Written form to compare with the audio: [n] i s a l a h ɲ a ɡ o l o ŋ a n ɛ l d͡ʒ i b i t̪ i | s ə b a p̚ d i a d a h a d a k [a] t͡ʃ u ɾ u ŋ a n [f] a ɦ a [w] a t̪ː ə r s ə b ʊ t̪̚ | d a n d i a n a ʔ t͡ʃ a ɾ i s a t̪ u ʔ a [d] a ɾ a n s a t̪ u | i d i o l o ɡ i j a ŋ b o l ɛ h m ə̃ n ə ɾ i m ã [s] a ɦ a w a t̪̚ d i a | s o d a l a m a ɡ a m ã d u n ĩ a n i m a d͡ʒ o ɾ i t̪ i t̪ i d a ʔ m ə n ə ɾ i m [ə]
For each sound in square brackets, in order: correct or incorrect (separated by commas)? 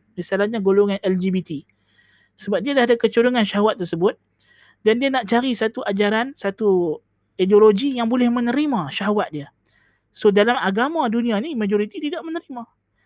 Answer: incorrect, incorrect, incorrect, correct, incorrect, incorrect, incorrect